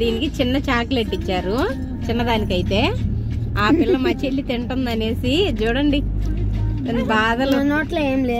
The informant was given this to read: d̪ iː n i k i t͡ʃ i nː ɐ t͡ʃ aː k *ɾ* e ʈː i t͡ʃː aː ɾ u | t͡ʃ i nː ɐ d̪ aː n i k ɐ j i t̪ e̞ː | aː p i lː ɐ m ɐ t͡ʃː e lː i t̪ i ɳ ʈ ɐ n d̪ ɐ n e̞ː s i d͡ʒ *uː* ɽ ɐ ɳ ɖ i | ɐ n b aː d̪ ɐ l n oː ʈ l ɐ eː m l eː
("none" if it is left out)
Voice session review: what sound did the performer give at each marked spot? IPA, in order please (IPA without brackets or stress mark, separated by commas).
l, uː